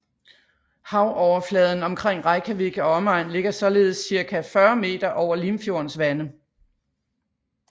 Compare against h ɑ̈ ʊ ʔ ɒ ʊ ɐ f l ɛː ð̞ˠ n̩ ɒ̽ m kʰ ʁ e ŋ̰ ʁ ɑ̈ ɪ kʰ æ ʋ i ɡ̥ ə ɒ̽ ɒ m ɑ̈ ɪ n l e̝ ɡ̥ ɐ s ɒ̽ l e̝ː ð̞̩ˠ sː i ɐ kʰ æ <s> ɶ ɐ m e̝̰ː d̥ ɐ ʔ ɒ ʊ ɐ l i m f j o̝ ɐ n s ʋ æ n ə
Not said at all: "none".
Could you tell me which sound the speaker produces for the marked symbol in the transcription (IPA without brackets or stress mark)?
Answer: f